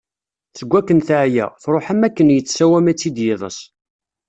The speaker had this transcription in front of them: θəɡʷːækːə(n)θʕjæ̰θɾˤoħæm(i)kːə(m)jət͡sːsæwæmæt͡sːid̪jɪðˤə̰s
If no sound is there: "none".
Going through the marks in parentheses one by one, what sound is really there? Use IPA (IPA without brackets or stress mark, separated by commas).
n, æ, n